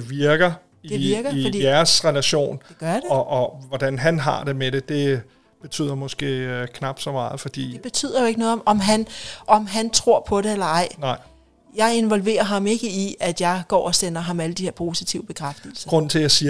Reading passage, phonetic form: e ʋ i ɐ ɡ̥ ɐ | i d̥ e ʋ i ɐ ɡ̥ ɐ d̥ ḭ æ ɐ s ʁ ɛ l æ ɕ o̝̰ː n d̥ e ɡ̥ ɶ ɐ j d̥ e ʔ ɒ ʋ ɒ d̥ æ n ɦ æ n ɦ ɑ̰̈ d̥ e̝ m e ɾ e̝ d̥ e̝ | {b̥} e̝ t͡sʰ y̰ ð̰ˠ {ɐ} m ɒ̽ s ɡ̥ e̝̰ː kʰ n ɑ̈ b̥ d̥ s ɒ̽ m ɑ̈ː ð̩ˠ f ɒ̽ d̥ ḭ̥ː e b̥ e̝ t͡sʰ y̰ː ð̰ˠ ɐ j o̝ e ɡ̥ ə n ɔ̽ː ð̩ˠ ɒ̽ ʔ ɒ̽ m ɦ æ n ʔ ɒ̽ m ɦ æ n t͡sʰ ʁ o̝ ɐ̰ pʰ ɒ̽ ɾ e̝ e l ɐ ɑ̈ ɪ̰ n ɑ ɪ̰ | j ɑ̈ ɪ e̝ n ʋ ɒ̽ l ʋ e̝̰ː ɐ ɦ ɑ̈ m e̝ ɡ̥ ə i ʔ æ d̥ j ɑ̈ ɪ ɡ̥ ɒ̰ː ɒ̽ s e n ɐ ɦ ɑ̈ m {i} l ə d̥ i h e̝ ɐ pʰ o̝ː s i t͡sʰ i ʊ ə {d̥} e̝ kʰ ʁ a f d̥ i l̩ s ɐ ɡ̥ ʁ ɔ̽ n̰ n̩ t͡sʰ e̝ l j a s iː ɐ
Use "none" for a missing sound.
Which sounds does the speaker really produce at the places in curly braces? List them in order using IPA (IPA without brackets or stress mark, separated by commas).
b̥, ɐ, æ, b̥